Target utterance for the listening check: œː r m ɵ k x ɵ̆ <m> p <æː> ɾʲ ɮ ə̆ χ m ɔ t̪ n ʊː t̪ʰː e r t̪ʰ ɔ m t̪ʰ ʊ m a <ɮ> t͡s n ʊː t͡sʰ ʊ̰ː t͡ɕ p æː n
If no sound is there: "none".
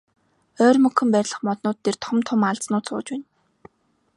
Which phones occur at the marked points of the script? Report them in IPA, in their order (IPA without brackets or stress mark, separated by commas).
m, æ, ɮ